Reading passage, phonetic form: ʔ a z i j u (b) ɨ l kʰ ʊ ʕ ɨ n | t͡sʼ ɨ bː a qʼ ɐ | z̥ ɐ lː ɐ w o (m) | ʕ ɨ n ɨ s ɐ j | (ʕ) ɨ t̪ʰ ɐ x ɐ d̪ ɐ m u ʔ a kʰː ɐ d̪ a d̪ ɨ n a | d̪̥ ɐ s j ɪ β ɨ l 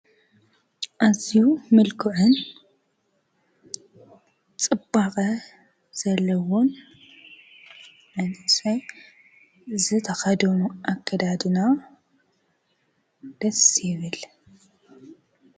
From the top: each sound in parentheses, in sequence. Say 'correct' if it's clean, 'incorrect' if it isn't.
incorrect, incorrect, incorrect

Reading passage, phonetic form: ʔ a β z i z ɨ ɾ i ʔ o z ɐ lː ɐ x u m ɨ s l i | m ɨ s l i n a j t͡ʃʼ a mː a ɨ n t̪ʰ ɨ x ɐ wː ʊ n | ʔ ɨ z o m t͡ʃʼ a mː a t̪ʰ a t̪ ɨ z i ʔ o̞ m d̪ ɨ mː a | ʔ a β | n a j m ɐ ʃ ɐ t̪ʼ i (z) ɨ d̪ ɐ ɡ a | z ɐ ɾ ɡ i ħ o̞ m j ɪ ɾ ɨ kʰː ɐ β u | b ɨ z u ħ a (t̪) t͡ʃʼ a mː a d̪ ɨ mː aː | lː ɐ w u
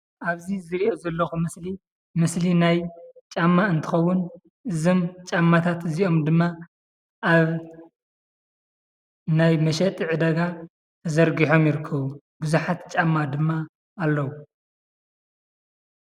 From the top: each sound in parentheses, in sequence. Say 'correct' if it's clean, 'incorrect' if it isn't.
incorrect, correct

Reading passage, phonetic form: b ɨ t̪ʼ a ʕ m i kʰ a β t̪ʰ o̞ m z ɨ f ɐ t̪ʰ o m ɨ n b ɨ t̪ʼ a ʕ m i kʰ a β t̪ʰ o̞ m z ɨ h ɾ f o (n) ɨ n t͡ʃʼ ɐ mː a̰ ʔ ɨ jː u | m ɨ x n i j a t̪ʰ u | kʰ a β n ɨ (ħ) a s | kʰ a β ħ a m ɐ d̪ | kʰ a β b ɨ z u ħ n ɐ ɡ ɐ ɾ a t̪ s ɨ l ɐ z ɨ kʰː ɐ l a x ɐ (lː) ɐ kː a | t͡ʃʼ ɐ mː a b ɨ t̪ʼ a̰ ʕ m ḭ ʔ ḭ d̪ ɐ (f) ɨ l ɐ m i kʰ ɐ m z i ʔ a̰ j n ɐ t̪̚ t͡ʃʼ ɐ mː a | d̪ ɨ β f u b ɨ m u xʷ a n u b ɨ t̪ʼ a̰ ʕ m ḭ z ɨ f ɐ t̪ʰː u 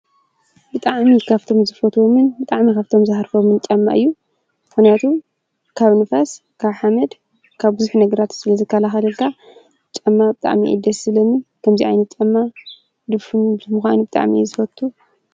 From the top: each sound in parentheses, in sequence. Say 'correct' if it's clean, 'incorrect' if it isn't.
incorrect, incorrect, incorrect, incorrect

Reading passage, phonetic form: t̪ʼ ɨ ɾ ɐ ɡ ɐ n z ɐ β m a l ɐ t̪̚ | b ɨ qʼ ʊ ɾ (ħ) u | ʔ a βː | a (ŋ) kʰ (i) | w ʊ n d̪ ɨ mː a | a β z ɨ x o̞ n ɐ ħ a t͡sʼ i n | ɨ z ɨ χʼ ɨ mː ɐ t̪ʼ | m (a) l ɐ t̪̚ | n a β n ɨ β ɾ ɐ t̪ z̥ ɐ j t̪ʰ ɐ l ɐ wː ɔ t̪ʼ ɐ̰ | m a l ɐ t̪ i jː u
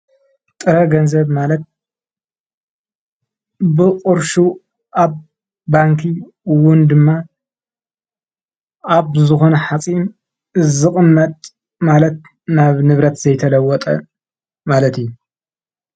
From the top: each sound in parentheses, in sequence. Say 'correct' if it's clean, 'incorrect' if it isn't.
incorrect, correct, correct, correct

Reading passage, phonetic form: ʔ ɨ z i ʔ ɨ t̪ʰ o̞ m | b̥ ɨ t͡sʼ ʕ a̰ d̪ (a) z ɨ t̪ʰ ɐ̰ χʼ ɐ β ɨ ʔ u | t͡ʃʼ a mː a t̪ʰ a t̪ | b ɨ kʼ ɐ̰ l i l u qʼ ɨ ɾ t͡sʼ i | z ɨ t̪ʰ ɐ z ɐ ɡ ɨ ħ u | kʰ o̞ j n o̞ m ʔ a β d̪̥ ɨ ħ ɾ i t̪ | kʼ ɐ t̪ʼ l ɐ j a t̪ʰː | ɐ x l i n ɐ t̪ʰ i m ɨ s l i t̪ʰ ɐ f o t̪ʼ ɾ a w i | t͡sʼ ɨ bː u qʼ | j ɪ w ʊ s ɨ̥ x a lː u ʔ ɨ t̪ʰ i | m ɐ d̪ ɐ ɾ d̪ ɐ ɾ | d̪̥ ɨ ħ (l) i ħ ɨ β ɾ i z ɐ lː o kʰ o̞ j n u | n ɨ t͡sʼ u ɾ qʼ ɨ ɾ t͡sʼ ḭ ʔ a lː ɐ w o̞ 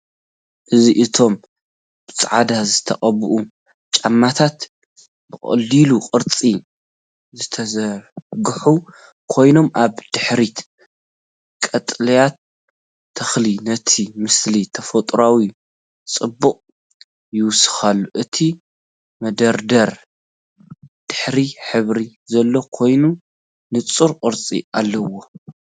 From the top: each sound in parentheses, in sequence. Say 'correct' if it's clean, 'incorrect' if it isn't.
correct, incorrect

